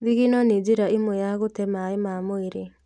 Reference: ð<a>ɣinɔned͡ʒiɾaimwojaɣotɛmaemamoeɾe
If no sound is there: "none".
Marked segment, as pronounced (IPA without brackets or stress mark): i